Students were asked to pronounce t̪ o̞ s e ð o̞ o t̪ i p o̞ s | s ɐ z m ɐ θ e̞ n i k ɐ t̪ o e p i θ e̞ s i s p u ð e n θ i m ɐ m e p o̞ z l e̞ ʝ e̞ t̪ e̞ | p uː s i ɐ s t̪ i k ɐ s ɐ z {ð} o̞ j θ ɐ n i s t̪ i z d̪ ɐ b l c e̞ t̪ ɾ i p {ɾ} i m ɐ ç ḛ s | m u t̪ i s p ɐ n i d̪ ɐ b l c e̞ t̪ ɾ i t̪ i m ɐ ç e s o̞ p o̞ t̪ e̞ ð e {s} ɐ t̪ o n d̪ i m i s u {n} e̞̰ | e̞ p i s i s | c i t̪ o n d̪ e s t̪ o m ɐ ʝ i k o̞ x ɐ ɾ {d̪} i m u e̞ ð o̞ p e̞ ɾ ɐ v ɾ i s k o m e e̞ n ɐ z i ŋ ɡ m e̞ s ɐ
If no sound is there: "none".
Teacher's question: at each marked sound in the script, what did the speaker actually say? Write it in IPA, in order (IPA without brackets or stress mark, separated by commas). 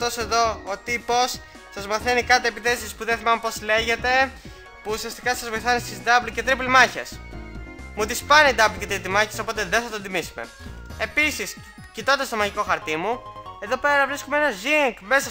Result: v, l, θ, m, t̪